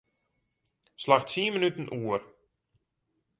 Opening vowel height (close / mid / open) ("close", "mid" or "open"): open